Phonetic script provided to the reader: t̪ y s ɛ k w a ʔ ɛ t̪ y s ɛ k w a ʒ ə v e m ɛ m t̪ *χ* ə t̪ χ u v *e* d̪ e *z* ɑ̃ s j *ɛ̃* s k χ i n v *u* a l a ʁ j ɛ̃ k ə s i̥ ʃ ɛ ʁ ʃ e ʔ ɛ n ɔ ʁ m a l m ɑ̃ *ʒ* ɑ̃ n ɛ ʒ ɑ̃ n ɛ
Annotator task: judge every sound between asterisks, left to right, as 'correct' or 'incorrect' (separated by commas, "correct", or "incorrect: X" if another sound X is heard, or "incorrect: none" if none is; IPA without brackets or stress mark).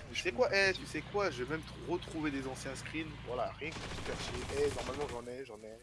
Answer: incorrect: ʁ, correct, correct, correct, incorrect: w, correct